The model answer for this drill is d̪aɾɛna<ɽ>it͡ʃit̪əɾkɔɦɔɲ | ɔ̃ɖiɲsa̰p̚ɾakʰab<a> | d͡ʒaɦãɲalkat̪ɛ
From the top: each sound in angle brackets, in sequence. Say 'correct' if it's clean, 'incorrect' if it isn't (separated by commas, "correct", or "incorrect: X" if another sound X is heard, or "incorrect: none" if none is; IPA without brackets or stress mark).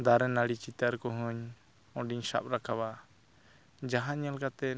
correct, correct